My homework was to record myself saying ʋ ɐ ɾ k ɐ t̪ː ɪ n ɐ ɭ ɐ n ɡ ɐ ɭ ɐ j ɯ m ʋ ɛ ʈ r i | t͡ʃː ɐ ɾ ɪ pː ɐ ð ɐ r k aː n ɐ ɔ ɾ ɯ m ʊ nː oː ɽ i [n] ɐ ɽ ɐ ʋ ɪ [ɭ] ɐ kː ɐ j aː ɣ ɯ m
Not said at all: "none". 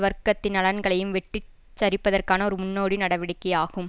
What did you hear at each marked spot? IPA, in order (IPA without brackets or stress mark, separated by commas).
n, ɽ